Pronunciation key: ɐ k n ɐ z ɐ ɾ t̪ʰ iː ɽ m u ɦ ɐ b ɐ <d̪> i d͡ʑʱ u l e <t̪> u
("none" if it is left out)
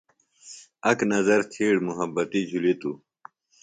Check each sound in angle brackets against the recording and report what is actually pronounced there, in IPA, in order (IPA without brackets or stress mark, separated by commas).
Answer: t̪, t̪